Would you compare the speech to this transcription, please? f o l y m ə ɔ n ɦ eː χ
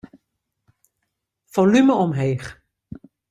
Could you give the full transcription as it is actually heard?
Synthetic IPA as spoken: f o l y m ə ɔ m ɦ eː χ